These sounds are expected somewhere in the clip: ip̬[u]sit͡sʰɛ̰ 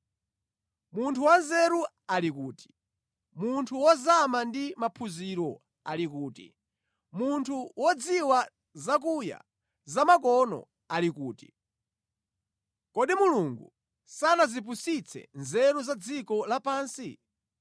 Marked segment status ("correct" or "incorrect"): correct